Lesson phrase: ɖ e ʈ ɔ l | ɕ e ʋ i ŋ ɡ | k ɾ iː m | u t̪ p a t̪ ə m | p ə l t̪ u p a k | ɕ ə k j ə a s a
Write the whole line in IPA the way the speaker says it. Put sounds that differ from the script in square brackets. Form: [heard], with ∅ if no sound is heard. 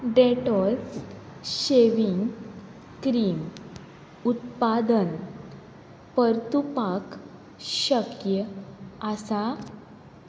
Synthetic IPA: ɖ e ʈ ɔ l | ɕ e ʋ i ŋ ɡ | k ɾ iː m | u t̪ p a [d̪] ə [n] | p ə [ɾ] t̪ u p a k | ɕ ə k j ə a s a